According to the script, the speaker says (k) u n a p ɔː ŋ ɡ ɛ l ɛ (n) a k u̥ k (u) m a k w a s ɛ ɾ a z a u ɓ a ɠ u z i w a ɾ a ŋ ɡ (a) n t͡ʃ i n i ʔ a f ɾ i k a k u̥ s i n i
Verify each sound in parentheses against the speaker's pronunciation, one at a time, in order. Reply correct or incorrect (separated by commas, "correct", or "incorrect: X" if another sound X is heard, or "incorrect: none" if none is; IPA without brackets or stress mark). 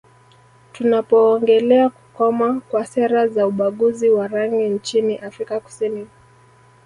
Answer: incorrect: t, incorrect: none, incorrect: ɔ, incorrect: i